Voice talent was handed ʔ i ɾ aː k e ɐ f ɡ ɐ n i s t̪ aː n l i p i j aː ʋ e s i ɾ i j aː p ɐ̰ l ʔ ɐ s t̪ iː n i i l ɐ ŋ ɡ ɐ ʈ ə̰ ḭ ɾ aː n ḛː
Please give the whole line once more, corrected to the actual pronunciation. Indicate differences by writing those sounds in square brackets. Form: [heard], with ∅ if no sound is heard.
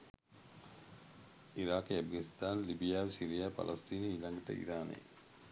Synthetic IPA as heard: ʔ i ɾ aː k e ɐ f ɡ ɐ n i s t̪ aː n l i [b] i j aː ʋ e s i ɾ i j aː p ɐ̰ l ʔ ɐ s t̪ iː n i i l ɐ ŋ ɡ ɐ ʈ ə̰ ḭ ɾ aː n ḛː